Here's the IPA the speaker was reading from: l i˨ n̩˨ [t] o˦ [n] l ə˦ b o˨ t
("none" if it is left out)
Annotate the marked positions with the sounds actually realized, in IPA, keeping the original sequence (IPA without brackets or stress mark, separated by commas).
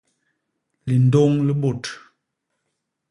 d, ŋ